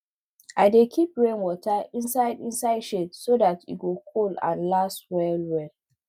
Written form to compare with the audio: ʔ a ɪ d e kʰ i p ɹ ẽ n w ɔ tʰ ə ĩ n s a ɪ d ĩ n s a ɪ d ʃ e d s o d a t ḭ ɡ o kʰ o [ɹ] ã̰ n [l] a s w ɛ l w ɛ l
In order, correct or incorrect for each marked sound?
incorrect: l, correct

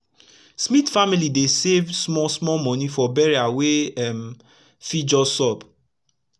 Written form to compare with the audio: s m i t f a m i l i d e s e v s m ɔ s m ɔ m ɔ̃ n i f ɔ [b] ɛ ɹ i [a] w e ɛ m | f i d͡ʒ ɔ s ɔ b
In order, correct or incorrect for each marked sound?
correct, correct

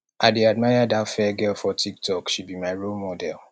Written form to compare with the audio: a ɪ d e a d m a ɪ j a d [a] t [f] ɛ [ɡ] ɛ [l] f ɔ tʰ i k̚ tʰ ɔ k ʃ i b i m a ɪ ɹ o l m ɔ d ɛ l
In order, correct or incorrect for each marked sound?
correct, correct, correct, correct

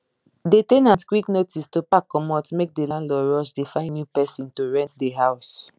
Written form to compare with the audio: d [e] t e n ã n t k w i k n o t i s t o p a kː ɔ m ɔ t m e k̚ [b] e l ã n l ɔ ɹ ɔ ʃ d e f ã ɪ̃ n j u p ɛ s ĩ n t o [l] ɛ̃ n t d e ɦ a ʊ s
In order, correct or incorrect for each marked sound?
correct, incorrect: d, incorrect: ɹ

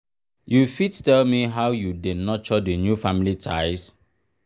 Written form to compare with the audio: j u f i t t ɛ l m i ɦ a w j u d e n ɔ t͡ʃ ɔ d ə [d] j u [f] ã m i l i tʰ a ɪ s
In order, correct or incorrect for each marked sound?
incorrect: n, correct

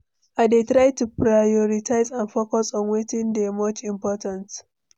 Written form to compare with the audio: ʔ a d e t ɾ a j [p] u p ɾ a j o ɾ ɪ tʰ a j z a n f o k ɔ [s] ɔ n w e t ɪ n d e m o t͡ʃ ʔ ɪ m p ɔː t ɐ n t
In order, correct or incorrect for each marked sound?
incorrect: t, correct

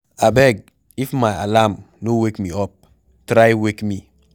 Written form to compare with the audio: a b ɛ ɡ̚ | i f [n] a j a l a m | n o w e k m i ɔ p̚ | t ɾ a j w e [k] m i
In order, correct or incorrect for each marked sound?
incorrect: m, correct

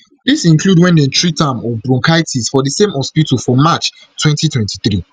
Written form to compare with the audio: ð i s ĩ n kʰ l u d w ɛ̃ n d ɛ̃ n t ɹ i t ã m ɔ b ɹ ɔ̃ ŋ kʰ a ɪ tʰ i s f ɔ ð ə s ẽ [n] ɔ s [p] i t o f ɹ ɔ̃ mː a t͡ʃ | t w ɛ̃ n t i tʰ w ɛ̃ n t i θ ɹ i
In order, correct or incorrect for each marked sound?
incorrect: m, correct

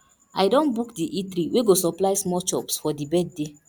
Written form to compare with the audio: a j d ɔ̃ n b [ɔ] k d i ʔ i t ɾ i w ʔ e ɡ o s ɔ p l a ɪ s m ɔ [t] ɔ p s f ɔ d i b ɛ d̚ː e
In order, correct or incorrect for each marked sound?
incorrect: u, incorrect: t͡ʃ

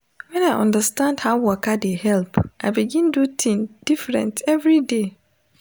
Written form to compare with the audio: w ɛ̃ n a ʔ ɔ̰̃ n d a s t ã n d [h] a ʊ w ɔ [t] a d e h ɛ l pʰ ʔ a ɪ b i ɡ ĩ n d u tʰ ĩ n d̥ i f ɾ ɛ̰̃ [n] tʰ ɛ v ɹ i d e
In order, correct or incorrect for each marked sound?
correct, incorrect: k, correct

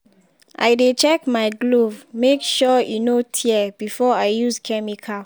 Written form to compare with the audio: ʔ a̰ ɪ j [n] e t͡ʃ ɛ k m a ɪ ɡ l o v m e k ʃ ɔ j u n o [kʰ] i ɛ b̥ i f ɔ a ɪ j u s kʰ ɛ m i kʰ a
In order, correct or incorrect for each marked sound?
incorrect: d, incorrect: tʰ

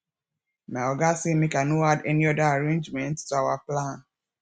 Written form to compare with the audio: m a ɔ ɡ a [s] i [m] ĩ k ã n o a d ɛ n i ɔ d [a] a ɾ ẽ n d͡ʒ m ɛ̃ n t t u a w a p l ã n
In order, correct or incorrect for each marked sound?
correct, correct, correct

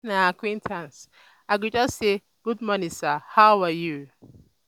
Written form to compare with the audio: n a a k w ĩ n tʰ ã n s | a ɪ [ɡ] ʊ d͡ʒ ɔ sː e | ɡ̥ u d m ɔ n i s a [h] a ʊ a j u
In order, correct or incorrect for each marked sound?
correct, correct

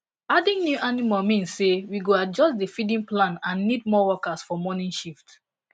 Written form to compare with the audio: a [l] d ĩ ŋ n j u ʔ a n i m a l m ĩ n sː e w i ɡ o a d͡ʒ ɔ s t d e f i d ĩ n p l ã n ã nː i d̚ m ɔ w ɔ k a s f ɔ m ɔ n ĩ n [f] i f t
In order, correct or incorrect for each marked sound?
incorrect: none, incorrect: ʃ

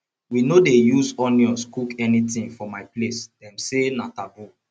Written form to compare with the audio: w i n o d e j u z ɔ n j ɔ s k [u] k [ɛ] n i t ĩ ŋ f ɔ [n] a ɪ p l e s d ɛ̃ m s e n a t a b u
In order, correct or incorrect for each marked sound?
correct, correct, incorrect: m

